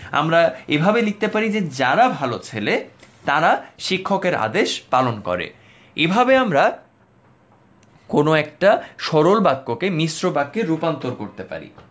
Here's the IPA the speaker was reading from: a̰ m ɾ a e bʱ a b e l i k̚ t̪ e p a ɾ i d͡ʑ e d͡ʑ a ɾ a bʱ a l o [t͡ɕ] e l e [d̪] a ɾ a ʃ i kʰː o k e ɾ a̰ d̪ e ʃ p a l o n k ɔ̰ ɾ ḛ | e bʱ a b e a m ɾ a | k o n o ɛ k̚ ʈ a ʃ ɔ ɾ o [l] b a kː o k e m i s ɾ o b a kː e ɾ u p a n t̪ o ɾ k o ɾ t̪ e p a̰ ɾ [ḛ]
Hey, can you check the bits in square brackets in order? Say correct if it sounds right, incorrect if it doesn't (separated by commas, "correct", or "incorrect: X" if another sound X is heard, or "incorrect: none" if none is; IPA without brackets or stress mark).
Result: incorrect: t͡ɕʰ, incorrect: t̪, correct, incorrect: ḭ